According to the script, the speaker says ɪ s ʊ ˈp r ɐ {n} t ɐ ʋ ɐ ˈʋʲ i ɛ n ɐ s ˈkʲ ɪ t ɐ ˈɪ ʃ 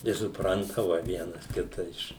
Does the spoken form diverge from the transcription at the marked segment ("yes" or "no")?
no